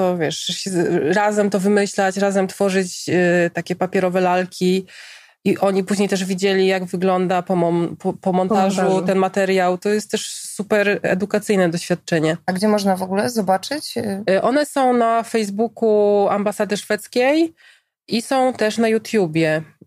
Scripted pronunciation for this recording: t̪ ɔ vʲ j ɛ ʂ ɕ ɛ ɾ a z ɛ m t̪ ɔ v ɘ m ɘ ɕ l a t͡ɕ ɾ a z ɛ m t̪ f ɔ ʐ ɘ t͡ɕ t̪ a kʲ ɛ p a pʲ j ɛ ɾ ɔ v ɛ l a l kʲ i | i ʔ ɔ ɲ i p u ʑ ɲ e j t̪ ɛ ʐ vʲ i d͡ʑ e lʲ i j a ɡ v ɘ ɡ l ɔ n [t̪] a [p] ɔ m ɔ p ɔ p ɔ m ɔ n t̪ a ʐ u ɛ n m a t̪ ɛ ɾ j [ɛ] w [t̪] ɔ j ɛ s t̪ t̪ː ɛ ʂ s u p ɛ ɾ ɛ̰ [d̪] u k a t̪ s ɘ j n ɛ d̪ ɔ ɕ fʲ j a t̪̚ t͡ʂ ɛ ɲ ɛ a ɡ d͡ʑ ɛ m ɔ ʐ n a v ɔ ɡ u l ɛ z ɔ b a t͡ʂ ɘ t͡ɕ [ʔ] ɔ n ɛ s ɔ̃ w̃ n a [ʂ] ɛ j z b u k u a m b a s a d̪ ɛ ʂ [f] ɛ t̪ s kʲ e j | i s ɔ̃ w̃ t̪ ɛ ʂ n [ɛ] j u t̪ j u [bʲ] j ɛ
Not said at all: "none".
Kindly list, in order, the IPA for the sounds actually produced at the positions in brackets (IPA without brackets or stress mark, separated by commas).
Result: d̪, p, a, t̪, d̪, ʔ, f, f, a, bʲ